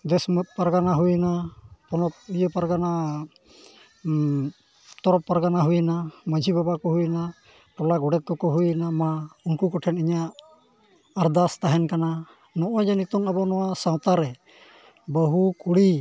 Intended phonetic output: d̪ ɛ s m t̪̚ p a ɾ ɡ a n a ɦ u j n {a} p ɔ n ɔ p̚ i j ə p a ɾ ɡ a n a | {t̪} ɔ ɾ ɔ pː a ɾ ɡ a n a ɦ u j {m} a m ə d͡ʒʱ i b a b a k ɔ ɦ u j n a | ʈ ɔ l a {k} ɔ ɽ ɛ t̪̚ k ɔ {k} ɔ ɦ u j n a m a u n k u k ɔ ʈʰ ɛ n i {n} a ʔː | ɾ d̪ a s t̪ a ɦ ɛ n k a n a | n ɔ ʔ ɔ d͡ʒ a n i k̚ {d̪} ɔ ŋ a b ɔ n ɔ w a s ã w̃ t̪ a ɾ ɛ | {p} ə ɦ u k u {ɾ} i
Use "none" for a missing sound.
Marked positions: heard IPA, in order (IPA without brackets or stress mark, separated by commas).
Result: a, t̪, n, ɡ, k, ɲ, t̪, b, ɽ